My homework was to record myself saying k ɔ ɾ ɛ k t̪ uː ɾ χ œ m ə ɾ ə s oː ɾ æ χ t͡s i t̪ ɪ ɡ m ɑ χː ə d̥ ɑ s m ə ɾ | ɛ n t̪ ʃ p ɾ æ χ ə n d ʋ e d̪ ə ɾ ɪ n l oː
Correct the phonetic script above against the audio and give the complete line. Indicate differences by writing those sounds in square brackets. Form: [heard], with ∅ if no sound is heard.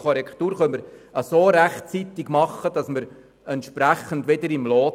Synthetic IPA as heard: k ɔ ɾ ɛ k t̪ uː ɾ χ œ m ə ɾ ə s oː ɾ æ χ t͡s i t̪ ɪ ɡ m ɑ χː ə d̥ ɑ s m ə ɾ | ɛ n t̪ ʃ p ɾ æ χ ə n d ʋ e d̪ ə ɾ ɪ [m] l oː

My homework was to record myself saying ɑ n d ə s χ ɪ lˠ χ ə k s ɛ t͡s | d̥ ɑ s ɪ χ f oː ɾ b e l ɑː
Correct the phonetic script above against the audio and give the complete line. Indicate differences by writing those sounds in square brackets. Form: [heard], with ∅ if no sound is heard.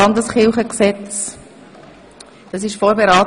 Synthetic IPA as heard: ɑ n d ə s χ ɪ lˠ χ ə k s ɛ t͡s | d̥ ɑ s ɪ [ʃ] f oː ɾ b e [ɾ] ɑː

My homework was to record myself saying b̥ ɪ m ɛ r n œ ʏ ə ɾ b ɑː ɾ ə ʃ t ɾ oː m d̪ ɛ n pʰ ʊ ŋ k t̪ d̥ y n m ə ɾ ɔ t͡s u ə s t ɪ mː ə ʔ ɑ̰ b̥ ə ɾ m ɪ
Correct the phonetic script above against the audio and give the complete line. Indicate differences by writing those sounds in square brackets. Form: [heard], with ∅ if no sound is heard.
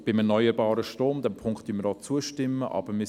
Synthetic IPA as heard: b̥ ɪ m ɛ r n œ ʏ ə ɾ b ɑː ɾ ə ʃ t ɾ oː m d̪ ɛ [m] pʰ ʊ ŋ k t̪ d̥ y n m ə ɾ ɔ t͡s u ə [ʃ] t ɪ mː ə ʔ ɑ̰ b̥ ə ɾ m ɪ

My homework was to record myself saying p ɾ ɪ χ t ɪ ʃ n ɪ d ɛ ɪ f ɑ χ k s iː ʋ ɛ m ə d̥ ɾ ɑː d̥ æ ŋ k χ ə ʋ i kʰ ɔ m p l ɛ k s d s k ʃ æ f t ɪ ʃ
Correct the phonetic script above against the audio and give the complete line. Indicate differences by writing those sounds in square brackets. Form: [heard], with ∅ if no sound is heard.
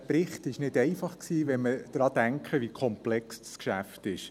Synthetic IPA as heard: p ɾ ɪ χ t ɪ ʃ n ɪ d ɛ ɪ f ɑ χ k s iː ʋ ɛ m ə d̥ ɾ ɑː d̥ æ ŋ k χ ə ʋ i kʰ ɔ m p l ɛ k s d s k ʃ æ f t ɪ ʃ

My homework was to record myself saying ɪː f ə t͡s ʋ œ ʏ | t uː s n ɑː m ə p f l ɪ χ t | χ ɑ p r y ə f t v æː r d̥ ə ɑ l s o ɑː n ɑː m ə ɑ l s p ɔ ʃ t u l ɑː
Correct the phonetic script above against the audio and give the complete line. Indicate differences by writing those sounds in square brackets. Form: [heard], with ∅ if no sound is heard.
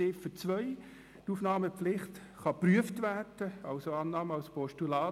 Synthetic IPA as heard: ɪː f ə t͡s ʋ œ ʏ | t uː [f] n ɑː m ə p f l ɪ χ t | χ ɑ p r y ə f t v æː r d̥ ə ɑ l s o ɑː n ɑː m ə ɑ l s p ɔ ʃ t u l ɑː

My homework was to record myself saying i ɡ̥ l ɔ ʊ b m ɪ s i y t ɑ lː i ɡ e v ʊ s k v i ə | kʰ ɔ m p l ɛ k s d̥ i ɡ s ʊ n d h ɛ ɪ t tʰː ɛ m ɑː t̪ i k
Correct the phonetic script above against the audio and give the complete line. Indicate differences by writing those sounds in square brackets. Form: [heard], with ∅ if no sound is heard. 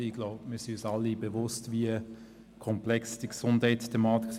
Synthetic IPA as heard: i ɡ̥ l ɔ ʊ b m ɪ s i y [s] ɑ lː i [b] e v ʊ s [t] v i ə | kʰ ɔ m p l ɛ k s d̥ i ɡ s ʊ n d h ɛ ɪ t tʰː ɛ m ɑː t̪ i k

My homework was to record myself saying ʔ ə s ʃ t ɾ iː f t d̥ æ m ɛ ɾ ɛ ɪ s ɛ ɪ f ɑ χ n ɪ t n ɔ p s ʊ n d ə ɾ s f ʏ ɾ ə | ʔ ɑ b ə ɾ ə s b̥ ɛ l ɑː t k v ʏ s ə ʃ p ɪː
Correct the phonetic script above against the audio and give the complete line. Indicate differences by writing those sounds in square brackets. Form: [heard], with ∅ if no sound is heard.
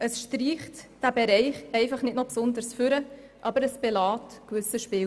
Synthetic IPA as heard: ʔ ə s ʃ t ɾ iː [χ] t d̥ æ [b] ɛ ɾ ɛ ɪ [χ] ɛ ɪ f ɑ χ n ɪ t n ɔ p s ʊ n d ə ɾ s f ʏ ɾ ə | ʔ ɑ b ə ɾ ə s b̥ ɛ l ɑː t k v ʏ s ə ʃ p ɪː

